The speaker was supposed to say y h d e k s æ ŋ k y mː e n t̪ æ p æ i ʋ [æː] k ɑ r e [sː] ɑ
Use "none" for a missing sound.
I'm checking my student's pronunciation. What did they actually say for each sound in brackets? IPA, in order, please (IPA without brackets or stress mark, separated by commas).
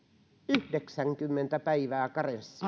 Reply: æː, sː